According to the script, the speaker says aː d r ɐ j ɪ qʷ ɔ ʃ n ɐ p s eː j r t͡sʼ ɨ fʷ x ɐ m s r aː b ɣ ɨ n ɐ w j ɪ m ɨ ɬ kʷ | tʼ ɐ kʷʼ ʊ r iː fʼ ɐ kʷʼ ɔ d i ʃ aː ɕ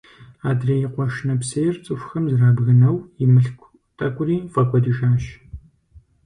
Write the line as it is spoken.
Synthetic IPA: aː d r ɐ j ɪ qʷ ɔ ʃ n ɐ p s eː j r t͡sʼ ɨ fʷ x ɐ m z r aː b ɣ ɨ n ɐ w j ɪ m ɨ ɬ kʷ | tʼ ɐ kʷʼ ʊ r iː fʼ ɐ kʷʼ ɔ d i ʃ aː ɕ